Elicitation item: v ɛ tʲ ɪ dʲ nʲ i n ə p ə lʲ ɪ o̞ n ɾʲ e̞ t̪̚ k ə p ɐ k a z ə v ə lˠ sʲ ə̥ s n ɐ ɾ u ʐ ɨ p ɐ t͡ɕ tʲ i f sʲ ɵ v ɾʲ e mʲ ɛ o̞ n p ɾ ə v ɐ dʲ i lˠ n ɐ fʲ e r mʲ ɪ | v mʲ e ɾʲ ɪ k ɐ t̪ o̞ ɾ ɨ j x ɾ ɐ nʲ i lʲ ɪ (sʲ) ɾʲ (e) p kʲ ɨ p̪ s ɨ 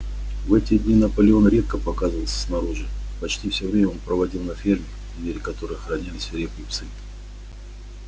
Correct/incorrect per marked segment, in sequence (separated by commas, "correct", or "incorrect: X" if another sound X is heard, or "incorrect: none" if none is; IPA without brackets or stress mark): correct, correct